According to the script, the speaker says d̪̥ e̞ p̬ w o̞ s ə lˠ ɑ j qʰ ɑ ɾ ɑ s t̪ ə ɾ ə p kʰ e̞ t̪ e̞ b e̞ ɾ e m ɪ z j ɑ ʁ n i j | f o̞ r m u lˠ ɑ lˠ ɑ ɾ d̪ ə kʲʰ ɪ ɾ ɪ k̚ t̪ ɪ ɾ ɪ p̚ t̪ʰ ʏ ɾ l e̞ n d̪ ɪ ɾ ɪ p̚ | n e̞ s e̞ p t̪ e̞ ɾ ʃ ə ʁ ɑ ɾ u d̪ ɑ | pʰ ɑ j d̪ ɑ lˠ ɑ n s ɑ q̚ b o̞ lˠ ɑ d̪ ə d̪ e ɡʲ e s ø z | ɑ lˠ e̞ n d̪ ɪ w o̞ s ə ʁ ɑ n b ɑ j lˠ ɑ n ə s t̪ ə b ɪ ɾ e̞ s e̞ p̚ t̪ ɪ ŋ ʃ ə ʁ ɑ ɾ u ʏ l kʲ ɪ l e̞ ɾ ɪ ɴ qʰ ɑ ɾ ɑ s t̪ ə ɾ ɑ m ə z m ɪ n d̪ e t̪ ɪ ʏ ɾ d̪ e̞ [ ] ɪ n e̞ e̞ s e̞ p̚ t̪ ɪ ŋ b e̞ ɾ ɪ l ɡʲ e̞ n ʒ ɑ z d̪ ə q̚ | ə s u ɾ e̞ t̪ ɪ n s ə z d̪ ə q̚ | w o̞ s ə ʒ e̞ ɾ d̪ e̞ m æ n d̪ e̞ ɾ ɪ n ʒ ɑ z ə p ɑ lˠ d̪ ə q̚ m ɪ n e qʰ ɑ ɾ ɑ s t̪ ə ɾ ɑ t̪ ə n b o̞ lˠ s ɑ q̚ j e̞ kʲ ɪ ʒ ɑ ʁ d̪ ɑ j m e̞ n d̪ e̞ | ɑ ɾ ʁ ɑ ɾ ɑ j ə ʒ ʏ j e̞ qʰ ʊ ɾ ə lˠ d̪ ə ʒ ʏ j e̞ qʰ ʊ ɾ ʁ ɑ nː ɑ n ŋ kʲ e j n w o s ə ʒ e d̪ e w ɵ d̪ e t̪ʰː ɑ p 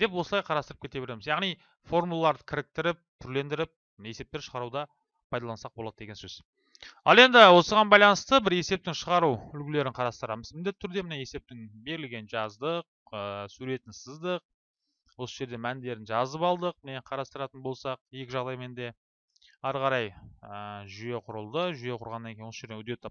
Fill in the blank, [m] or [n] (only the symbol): m